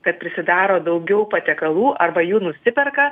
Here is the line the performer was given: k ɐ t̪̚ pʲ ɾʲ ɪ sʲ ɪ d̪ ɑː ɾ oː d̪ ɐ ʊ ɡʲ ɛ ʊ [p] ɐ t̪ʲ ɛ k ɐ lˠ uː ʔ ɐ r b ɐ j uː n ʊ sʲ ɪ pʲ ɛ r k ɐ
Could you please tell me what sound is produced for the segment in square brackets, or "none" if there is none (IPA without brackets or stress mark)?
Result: p